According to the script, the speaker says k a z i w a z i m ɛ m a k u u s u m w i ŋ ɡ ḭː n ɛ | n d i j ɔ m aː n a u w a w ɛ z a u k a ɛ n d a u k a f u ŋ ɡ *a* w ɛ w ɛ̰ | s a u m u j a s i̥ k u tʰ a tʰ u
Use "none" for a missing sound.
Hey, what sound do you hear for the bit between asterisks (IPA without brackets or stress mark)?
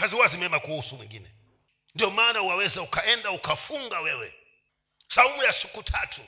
a